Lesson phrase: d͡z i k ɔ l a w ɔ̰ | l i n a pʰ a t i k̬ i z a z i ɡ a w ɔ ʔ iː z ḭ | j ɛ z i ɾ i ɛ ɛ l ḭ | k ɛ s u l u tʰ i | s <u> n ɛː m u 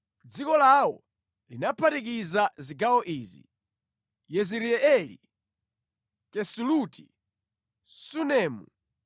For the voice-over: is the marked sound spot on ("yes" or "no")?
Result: yes